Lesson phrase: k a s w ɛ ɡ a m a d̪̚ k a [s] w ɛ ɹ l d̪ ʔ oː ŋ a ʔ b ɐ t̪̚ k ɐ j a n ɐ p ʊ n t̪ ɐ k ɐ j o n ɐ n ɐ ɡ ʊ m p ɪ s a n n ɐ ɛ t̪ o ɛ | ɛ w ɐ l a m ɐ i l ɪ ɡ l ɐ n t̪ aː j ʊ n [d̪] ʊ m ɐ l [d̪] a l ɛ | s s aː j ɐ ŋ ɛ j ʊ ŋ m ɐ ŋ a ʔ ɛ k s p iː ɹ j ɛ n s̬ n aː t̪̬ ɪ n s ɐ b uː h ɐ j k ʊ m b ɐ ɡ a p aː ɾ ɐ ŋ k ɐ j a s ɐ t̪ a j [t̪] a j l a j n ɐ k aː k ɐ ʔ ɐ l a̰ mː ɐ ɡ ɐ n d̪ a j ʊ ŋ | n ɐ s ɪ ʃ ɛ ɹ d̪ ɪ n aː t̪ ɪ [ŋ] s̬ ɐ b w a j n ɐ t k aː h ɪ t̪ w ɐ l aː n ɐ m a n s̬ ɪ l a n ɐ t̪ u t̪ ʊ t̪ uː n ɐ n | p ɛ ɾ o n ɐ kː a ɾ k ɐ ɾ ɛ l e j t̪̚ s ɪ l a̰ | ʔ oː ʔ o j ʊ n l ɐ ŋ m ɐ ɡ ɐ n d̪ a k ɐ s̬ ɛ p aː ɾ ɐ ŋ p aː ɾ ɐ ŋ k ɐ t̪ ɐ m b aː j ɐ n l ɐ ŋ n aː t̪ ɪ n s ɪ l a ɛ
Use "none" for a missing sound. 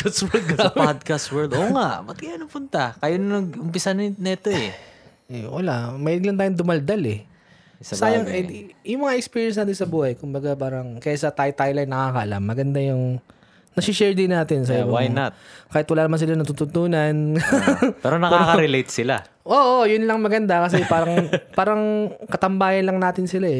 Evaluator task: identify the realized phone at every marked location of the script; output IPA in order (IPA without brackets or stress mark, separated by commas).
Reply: s, d̪, d̪, t̪, n